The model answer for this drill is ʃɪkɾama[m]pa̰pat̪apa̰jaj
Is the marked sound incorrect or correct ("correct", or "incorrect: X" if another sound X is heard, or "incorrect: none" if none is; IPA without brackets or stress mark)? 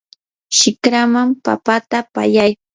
correct